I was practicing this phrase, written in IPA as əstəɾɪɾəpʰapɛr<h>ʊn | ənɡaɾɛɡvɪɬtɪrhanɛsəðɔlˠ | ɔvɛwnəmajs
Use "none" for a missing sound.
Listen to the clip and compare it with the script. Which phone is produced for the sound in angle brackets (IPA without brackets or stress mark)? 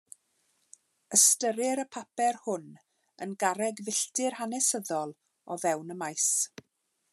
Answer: h